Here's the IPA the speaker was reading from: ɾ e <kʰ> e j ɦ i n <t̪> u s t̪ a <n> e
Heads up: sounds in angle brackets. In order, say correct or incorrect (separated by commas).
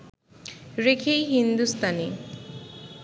correct, incorrect, correct